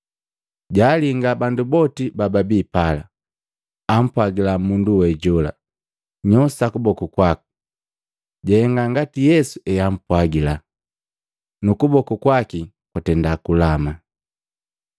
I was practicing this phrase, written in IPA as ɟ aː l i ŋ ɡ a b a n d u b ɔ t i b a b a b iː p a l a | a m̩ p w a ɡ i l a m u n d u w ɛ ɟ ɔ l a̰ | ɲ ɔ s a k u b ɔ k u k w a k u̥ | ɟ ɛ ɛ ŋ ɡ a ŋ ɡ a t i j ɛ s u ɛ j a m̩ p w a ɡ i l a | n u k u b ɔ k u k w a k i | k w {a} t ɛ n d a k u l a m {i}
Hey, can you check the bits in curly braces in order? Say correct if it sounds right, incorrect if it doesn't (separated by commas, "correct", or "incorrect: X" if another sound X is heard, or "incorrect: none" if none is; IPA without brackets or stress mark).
correct, incorrect: a